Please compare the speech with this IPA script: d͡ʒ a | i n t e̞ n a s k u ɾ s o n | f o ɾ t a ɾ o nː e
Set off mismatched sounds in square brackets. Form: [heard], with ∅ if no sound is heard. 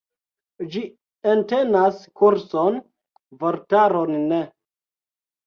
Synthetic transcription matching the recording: d͡ʒ [i] | [e] n t e̞ n a s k u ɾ s o n | [v] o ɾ t a ɾ o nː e